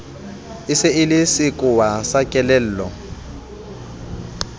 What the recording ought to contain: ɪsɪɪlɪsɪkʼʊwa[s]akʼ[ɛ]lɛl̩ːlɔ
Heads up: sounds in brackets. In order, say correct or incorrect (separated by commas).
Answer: correct, correct